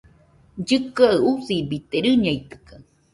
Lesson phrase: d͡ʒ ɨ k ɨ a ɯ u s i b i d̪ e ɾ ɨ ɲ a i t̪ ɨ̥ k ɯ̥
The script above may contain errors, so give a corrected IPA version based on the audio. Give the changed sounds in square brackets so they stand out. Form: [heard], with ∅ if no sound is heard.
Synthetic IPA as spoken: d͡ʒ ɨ k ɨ a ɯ u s i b i [t̪] e ɾ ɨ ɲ a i t̪ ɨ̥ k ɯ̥